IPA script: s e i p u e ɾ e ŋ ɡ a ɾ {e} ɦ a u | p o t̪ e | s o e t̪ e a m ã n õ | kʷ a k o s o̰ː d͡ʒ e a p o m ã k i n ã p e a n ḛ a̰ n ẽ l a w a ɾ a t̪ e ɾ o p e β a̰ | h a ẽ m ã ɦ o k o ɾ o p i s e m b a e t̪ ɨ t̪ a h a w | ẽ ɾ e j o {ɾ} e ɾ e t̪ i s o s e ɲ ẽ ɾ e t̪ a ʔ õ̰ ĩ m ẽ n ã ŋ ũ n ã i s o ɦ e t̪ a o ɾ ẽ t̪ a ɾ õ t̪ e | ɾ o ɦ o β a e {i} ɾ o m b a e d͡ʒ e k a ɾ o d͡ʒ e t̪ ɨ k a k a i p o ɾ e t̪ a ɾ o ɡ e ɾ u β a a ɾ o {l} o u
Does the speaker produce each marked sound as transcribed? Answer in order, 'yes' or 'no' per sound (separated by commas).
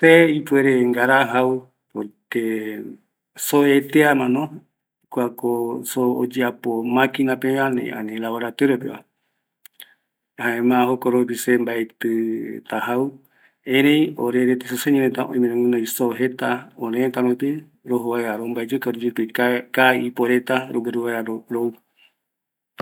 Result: no, yes, no, no